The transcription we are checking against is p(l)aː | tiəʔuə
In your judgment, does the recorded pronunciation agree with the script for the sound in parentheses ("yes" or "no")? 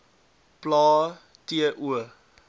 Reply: yes